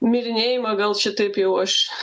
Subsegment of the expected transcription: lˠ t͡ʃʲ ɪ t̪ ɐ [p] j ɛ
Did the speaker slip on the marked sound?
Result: no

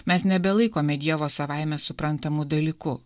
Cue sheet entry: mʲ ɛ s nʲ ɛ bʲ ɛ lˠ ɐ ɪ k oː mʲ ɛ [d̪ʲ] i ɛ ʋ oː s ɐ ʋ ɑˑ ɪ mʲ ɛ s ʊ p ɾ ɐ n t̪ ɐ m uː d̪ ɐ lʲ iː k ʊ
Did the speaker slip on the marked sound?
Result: no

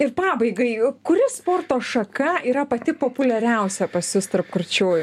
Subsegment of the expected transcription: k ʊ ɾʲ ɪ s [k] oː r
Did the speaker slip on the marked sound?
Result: yes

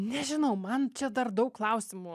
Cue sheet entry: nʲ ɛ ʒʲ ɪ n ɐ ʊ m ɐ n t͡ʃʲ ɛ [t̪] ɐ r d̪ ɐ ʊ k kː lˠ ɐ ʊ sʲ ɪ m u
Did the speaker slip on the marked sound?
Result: yes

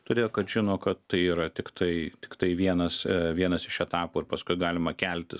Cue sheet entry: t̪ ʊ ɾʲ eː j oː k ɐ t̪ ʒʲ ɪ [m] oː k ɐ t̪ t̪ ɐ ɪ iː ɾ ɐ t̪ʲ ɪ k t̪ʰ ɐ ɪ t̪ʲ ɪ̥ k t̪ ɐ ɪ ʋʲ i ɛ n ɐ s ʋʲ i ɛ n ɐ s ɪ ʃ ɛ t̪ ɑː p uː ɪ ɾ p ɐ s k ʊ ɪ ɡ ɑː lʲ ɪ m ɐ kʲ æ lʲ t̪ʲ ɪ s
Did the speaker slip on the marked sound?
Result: yes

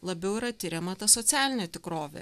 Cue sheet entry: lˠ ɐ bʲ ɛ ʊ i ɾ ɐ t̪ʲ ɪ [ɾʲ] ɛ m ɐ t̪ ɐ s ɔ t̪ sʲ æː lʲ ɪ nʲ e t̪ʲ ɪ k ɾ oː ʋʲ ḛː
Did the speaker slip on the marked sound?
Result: no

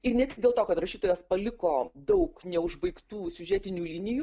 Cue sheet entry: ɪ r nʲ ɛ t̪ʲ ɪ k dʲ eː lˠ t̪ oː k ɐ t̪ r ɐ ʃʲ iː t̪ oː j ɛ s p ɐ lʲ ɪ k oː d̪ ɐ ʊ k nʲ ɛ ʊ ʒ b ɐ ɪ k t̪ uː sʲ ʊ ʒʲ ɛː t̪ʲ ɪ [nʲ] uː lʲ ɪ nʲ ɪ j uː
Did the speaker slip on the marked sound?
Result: no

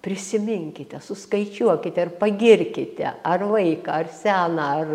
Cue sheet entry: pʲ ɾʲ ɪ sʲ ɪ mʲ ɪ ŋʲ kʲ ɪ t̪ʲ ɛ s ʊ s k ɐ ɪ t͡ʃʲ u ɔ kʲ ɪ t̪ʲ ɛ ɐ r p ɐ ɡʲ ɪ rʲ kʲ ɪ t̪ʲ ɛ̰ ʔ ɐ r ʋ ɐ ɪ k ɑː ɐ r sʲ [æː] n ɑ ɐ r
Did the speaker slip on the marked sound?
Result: no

